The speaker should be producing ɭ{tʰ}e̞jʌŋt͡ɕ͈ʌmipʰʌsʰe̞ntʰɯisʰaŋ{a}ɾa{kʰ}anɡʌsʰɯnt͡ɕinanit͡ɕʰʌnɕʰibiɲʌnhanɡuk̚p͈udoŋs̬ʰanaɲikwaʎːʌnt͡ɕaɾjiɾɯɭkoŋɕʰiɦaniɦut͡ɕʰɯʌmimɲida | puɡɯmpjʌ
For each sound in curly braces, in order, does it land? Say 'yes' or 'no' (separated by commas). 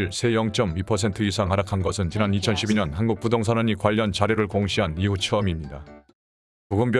no, yes, yes